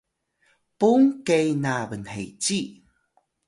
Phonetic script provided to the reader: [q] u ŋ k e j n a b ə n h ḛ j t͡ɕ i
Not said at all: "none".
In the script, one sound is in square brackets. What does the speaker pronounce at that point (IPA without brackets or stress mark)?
p